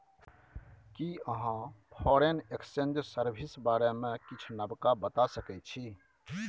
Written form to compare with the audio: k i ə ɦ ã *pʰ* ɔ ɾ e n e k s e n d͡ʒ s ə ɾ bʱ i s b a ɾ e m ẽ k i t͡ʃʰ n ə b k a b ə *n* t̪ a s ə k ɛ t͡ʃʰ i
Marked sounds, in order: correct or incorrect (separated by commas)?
correct, incorrect